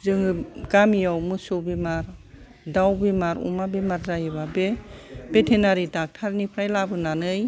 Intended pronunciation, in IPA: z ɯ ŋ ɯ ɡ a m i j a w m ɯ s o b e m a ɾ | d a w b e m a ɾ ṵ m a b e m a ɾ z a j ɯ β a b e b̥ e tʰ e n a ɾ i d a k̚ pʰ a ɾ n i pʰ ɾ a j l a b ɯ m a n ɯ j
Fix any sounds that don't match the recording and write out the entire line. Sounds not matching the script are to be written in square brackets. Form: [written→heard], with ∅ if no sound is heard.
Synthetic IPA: z ɯ ŋ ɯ ɡ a m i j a w m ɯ s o b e m a ɾ | d a w b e m a ɾ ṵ m a b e m a ɾ z a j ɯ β a b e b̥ e tʰ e n a ɾ i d a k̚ [pʰ→tʰ] a ɾ n i pʰ ɾ a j l a b ɯ [m→n] a n ɯ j